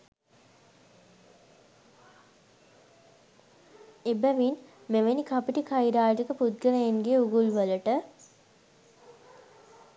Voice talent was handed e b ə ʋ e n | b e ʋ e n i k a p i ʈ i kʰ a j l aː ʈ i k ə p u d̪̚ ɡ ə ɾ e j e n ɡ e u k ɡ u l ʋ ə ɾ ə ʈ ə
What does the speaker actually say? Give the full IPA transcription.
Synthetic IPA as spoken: e b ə ʋ i n | m e ʋ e n i k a p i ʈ i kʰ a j ɾ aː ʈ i k ə p u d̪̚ ɡ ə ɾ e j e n ɡ e u ɡ u l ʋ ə l ə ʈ ə